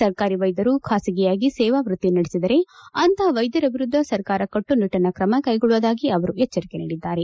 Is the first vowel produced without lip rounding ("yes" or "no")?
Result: yes